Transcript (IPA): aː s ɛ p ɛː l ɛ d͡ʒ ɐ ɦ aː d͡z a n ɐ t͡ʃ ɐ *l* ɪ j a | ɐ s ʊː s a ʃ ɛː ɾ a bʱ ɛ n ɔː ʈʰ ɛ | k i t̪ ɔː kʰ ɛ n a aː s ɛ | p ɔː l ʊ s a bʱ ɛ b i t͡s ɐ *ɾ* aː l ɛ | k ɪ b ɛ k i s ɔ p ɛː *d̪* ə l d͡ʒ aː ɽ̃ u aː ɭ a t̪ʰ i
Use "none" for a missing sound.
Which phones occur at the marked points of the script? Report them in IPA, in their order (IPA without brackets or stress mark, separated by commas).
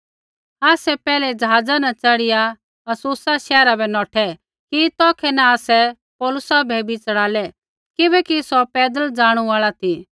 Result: ɽ, ɽ, d̪